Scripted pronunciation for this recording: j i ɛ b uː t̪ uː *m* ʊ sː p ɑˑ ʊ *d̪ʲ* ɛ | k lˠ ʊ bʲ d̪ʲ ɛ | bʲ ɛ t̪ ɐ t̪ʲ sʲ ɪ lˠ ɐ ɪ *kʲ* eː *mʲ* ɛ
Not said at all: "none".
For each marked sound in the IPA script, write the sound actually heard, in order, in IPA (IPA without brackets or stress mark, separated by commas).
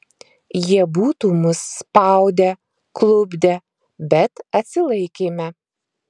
m, d̪ʲ, kʲ, mʲ